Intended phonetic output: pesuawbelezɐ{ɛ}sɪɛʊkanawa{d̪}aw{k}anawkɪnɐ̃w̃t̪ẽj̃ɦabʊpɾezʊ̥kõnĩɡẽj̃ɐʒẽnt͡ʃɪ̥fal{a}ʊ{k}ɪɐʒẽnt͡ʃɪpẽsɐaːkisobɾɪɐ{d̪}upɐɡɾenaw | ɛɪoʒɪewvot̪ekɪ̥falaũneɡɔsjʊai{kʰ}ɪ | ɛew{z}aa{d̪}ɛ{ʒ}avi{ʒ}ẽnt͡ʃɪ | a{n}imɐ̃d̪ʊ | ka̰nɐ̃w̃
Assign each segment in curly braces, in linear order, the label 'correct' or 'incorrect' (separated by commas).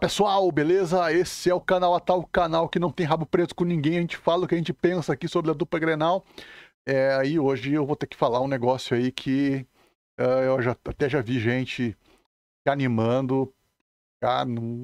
incorrect, incorrect, correct, incorrect, correct, correct, correct, incorrect, incorrect, correct, correct, correct